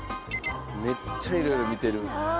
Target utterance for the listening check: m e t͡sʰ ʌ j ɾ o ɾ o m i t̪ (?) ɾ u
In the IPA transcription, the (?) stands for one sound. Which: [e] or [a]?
e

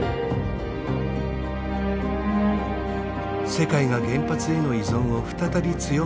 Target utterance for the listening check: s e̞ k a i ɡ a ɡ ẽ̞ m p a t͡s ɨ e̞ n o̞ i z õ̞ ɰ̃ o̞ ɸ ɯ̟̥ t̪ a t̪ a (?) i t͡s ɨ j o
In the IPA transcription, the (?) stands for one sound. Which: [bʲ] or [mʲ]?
bʲ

